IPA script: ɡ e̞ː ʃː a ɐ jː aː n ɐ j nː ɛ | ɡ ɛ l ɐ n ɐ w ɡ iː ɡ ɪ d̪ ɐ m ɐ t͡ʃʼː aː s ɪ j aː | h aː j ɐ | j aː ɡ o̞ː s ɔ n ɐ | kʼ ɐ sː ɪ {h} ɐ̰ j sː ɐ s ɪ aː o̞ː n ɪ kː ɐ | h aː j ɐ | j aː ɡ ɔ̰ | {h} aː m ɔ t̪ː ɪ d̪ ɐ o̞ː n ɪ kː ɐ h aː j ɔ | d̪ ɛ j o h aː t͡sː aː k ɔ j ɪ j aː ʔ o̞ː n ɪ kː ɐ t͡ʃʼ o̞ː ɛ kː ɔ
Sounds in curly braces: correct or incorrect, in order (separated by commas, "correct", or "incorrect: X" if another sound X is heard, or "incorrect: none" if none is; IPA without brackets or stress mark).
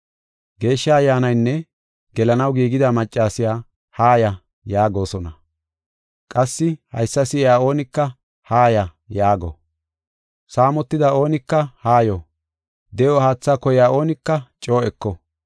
correct, incorrect: s